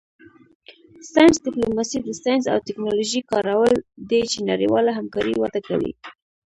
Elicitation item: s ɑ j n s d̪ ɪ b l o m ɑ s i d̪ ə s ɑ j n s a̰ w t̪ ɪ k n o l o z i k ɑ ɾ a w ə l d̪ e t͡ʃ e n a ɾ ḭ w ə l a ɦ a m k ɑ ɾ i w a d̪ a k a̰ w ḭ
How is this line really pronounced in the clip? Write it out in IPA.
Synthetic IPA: s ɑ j n s d̪ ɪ p l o m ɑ s i d̪ ə s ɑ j n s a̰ w t̪ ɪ k n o l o ʒ i k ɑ ɾ a w ə l d̪ e t͡ʃ e n a ɾ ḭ w ɑ l a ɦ a m k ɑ ɾ i w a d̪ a k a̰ w ḭ